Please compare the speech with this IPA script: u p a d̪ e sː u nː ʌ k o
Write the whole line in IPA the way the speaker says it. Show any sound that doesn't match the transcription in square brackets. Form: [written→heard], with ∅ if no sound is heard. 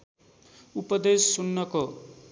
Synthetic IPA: u p [a→ʌ] d̪ e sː u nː ʌ k o